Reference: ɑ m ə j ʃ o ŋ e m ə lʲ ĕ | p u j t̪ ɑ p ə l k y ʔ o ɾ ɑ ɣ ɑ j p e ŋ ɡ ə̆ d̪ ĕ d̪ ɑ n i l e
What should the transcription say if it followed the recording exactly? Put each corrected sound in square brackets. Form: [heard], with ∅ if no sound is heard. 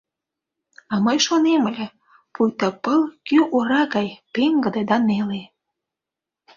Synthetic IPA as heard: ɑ m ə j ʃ o [n] e m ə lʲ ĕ | p u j t̪ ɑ p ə l k y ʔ o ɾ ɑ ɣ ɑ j p e ŋ ɡ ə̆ d̪ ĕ d̪ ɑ n [e] l e

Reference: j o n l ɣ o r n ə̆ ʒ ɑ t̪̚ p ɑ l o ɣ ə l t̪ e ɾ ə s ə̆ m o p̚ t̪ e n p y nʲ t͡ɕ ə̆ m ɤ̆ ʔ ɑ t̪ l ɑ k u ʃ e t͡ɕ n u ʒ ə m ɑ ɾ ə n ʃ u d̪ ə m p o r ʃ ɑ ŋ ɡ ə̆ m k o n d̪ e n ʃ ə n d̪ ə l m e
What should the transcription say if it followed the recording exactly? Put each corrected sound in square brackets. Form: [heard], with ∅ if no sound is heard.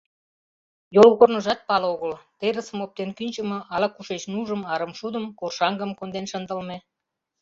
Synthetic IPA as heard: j o [∅] l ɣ o r n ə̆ ʒ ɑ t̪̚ p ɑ l o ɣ ə l t̪ e ɾ ə s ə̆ m o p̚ t̪ e n [k] y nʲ t͡ɕ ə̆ m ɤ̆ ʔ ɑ [∅] l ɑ k u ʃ e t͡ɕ n u ʒ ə m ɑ ɾ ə [m] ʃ u d̪ ə m [k] o r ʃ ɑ ŋ ɡ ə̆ m k o n d̪ e n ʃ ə n d̪ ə l m e

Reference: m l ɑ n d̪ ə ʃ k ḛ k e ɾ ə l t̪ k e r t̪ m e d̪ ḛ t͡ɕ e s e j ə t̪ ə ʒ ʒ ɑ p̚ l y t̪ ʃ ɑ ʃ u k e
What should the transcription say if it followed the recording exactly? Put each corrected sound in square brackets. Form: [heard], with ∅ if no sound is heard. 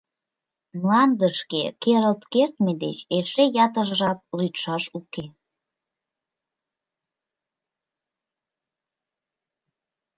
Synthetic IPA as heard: m l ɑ n d̪ ə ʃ k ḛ k e ɾ ə l t̪ k e r t̪ m e d̪ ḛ t͡ɕ e [ʃ] e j [ɑ] t̪ ə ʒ ʒ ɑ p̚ l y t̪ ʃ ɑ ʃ u k e

